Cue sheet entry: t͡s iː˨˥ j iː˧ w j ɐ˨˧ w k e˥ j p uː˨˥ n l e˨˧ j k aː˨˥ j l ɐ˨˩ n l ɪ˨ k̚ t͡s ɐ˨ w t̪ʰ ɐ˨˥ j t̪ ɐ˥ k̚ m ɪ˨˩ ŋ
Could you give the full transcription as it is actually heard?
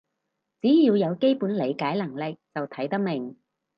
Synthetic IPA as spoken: t͡s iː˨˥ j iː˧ w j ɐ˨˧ w k e˥ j p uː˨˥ n l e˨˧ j k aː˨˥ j l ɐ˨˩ ŋ l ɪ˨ k̚ t͡s ɐ˨ w t̪ʰ ɐ˨˥ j t̪ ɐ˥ k̚ m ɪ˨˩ ŋ